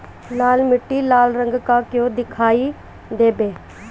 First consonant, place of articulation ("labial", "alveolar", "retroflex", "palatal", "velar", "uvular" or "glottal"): alveolar